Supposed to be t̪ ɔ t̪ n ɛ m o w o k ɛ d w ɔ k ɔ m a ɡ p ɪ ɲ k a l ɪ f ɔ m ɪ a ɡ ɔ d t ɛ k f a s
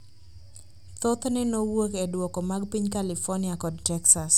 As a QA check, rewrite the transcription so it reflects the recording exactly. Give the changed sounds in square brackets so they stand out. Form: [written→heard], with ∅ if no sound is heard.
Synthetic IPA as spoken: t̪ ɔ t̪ n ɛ [m→n] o w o k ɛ d w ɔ k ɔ m a ɡ p [ɪ→i] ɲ k a l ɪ f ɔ [m→n] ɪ a [ɡ→k] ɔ d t ɛ k [f→s] a s